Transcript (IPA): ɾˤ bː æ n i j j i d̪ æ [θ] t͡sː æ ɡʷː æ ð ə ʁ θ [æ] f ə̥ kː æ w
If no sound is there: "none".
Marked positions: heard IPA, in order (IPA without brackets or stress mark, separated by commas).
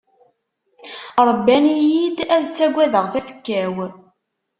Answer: ð, æ